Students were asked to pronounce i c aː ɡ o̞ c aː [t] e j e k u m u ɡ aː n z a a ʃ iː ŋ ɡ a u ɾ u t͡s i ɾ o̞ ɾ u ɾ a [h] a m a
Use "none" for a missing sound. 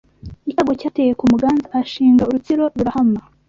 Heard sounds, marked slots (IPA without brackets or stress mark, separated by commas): t, h